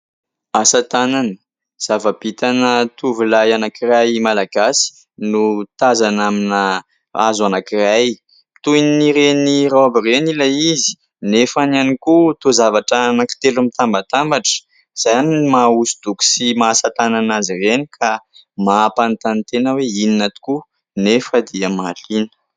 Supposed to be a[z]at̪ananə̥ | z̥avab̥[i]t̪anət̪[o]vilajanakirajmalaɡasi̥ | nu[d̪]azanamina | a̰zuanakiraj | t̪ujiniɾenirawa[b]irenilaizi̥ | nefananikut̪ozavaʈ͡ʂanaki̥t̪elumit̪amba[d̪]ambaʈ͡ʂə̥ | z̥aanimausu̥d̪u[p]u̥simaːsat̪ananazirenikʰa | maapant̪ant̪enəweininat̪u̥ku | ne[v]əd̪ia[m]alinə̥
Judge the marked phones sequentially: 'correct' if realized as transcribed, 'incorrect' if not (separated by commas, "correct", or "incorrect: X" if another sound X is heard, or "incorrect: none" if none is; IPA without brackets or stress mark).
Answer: incorrect: s, correct, incorrect: u, incorrect: t̪, correct, incorrect: t̪, incorrect: k, incorrect: f, correct